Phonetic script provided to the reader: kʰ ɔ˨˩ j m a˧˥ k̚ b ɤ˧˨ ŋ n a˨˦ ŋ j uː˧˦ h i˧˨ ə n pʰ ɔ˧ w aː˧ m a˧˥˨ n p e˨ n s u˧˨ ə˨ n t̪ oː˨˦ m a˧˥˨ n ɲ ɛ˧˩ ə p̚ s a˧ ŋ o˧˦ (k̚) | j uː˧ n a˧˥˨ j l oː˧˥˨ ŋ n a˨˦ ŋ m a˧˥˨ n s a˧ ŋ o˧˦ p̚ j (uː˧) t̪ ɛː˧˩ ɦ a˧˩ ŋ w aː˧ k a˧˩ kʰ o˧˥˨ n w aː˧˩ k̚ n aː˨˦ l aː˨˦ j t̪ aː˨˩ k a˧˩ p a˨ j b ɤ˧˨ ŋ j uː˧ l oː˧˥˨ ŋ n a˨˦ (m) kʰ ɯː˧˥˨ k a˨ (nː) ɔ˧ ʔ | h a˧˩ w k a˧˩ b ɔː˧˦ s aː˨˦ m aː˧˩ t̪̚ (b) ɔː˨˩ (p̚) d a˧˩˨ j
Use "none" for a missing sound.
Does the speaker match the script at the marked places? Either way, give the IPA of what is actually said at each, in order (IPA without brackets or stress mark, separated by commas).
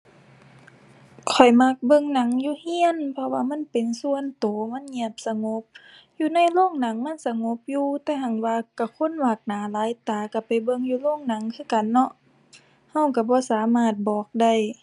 p̚, uː˧, ŋ, nː, b, k̚